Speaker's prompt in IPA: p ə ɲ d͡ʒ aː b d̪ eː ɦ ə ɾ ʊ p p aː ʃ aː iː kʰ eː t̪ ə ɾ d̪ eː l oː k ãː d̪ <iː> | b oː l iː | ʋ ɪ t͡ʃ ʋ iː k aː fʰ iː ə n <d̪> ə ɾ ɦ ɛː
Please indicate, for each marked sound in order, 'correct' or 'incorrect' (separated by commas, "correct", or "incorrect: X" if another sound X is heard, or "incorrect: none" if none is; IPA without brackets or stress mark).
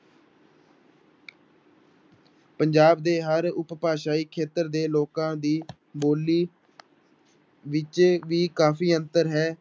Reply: correct, incorrect: t̪